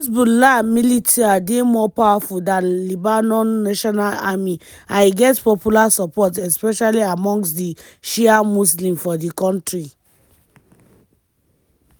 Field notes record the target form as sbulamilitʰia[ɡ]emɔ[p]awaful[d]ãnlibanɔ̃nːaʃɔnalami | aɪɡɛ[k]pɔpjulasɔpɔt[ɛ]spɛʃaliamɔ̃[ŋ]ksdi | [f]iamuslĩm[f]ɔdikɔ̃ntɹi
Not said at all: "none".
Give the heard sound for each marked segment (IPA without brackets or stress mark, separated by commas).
d, p, d, t, ɛ, ŋ, ʃ, f